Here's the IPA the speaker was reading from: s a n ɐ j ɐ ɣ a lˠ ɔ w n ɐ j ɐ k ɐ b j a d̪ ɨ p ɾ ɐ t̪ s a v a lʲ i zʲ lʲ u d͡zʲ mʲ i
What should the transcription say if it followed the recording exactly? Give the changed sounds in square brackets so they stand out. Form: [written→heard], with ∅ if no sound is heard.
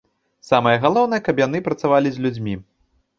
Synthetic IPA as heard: s a [n→m] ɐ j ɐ ɣ a lˠ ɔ w n ɐ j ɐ k ɐ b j a [d̪→n̪] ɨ p ɾ ɐ t̪ s a v a lʲ i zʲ lʲ u d͡zʲ mʲ i